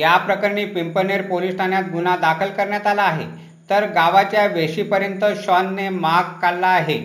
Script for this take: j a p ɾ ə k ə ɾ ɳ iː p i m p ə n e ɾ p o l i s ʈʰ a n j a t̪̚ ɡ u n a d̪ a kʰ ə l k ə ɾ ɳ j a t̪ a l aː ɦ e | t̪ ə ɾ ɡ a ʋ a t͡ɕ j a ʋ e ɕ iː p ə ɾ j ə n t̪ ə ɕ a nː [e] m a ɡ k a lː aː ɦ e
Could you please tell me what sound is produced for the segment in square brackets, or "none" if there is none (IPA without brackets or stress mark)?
e